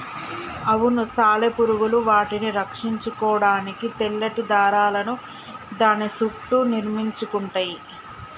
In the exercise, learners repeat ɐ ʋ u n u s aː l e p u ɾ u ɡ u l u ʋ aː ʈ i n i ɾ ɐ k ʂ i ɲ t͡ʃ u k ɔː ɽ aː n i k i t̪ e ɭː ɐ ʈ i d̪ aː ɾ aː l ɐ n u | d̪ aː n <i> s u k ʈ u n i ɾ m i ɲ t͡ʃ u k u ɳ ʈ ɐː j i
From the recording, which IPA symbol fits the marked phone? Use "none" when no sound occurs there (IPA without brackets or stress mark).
i